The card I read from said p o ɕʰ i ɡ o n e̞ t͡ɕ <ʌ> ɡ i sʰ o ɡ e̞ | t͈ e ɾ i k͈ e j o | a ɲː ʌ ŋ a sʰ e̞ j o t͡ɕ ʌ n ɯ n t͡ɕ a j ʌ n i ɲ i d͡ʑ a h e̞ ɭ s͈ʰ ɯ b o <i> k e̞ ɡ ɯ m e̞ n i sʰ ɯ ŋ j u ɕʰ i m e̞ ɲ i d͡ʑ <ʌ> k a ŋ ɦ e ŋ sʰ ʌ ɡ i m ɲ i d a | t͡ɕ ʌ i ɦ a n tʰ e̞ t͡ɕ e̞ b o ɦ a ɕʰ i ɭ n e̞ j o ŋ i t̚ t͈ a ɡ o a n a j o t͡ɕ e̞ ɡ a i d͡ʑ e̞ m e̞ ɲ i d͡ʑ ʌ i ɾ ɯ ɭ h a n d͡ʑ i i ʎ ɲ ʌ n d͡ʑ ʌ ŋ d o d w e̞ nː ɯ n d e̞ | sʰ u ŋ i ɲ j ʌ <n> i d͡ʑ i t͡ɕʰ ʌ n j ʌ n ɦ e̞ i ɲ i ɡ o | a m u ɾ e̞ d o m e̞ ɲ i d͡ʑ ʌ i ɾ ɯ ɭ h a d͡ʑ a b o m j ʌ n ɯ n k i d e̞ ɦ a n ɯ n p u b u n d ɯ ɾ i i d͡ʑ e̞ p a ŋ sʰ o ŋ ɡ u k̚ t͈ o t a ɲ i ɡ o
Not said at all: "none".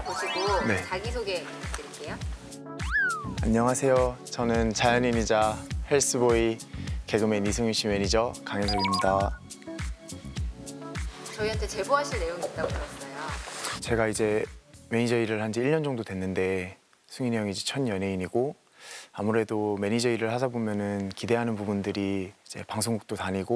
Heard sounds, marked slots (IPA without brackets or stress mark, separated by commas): a, i, ʌ, ŋ